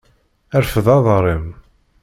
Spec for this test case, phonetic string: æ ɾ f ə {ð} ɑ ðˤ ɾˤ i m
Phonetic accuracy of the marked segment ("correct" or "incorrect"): correct